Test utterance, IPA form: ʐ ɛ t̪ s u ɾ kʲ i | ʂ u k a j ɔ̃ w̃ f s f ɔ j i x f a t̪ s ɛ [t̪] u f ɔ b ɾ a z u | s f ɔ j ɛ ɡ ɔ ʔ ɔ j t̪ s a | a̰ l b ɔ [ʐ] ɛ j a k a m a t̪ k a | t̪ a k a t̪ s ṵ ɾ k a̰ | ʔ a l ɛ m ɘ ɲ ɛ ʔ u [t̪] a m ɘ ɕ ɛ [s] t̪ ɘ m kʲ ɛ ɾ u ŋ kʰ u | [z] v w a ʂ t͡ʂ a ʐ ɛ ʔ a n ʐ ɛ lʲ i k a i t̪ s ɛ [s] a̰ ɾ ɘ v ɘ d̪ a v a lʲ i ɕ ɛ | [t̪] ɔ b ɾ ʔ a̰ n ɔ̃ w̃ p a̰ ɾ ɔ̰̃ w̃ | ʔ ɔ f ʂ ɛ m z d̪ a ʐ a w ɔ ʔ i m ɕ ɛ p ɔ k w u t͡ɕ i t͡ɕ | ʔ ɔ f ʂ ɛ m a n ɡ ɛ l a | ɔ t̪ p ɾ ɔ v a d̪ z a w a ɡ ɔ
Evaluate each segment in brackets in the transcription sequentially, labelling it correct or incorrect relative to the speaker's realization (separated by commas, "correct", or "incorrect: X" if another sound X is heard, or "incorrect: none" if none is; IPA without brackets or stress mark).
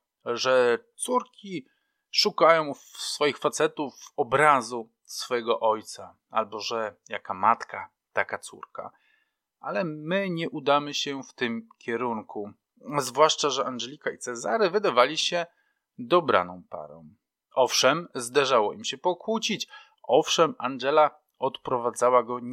correct, correct, incorrect: d̪, incorrect: f, correct, incorrect: z, incorrect: d̪